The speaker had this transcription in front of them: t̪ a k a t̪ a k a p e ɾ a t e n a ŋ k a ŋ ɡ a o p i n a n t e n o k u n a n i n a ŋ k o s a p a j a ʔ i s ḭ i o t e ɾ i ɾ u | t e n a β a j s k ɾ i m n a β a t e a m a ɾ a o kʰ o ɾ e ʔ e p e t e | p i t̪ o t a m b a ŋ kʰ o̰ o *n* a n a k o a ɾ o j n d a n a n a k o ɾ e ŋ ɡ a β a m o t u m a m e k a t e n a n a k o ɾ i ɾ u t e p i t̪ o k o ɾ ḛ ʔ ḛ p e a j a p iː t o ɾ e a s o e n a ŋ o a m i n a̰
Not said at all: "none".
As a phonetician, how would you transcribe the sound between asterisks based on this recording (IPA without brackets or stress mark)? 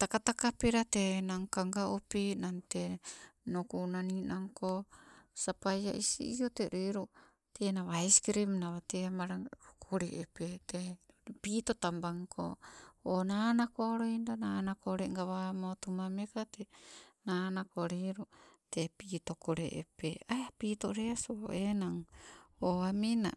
n